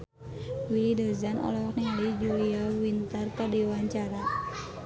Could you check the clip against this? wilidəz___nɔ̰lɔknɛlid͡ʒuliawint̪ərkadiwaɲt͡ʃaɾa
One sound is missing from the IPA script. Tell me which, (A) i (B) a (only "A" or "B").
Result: B